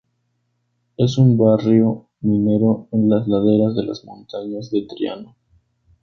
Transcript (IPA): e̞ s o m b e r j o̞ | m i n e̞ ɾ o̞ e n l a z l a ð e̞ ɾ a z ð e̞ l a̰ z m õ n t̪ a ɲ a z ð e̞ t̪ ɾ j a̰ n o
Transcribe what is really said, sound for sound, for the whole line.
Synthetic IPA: e̞ s u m b a r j o̞ | m i n e̞ ɾ o̞ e n l a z l a ð e̞ ɾ a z ð e̞ l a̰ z m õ n t̪ a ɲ a z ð e̞ t̪ ɾ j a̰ n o